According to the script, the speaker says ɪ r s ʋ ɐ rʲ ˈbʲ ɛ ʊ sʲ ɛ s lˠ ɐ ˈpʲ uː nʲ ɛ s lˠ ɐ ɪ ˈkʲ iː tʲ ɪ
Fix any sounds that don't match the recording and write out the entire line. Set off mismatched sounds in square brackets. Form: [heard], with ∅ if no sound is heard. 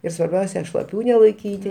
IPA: ɪ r s ʋ ɐ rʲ ˈbʲ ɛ ʊ sʲ ɛ [ʃ] lˠ ɐ ˈpʲ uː nʲ ɛ [∅] lˠ ɐ ɪ ˈkʲ iː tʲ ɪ